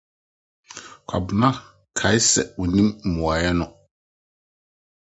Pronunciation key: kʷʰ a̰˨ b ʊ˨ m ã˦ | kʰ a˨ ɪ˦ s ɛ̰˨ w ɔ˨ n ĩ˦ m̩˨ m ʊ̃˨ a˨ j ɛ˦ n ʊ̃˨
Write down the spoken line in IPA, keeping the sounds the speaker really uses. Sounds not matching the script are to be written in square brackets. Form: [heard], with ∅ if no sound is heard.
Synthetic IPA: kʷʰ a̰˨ b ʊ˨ [n] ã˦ | kʰ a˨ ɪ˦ s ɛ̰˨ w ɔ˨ n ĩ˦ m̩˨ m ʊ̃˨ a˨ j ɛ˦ n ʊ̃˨